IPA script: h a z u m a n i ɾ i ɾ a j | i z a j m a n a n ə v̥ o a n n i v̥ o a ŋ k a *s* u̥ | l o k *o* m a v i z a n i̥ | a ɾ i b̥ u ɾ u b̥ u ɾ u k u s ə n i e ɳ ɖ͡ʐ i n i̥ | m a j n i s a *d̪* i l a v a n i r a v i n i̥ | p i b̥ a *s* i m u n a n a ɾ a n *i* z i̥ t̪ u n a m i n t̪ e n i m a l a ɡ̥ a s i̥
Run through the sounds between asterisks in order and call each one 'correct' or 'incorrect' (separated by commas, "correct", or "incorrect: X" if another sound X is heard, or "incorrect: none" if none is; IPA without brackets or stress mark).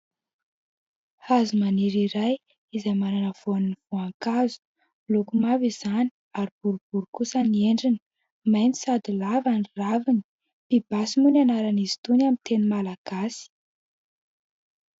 incorrect: z, incorrect: u, correct, correct, correct